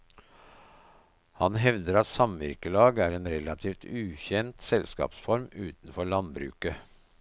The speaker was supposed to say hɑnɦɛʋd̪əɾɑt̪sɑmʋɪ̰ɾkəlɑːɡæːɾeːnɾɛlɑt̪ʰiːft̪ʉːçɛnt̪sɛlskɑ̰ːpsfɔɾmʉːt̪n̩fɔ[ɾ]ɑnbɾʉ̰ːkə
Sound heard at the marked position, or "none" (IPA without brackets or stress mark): ɭ